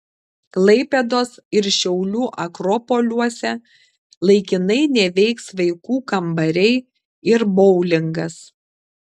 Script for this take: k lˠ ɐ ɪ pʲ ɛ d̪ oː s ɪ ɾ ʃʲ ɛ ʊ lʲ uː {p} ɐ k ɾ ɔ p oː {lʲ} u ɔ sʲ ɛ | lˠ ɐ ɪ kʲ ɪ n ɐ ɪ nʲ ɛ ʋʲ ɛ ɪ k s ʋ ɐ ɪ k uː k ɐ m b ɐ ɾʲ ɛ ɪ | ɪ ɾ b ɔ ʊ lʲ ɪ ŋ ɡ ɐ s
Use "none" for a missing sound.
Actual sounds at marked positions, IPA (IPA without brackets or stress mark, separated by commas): ʔ, lʲ